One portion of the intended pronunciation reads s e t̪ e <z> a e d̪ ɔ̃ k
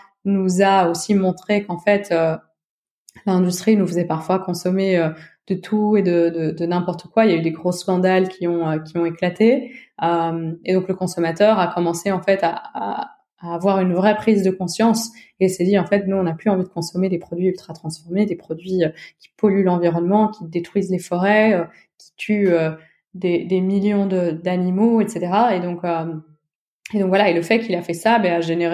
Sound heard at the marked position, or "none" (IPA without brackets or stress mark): ʁ